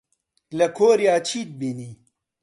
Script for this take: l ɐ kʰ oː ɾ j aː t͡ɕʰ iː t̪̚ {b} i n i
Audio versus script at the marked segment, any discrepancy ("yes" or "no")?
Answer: no